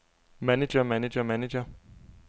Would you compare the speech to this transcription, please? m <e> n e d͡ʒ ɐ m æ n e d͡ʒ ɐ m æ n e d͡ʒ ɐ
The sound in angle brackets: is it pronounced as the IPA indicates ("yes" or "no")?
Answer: no